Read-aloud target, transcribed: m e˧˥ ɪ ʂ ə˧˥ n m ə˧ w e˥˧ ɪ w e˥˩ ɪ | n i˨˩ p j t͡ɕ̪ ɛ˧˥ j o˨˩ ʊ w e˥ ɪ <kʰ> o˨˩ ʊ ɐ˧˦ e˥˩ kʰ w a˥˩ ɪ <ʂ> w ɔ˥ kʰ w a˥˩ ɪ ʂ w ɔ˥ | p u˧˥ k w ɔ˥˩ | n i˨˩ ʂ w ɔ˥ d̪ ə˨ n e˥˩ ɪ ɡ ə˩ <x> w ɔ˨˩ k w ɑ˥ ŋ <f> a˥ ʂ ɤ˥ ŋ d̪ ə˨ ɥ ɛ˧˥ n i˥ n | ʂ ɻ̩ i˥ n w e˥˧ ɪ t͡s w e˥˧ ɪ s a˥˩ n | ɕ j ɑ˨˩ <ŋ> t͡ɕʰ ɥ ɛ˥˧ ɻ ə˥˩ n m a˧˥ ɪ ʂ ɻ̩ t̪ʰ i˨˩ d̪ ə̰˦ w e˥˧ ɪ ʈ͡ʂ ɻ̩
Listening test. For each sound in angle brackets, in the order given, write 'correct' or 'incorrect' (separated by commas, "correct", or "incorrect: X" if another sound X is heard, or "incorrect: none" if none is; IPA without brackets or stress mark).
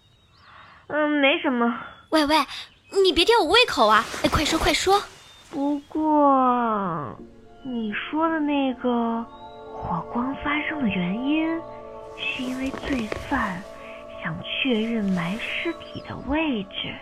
correct, correct, correct, correct, correct